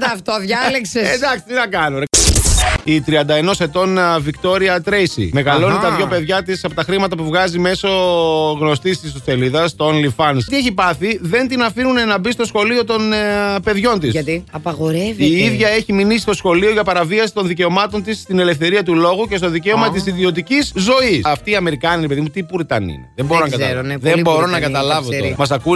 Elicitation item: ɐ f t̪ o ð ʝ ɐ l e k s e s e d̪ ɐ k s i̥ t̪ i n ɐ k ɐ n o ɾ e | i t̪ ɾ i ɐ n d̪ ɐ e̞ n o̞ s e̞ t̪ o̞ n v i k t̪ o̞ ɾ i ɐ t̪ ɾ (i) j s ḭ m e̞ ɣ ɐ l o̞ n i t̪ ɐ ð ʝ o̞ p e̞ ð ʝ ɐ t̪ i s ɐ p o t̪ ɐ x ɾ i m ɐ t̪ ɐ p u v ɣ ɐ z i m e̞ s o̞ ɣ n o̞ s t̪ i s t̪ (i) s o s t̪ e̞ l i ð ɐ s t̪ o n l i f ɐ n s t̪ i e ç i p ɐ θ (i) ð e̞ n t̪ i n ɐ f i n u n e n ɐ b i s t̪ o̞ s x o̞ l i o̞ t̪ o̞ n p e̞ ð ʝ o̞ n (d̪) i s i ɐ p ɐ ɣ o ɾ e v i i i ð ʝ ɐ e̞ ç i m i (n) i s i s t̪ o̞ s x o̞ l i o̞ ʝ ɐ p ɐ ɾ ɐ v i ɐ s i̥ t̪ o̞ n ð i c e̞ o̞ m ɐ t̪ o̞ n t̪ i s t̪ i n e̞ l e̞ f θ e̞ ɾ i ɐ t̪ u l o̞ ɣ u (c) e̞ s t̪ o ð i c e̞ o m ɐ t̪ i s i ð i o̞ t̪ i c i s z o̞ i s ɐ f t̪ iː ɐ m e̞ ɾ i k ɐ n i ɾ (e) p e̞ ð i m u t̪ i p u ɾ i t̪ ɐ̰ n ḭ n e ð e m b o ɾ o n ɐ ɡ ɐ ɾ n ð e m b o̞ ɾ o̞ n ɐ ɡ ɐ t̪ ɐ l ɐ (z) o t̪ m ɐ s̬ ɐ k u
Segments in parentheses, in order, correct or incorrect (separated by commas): incorrect, correct, correct, incorrect, correct, correct, correct, incorrect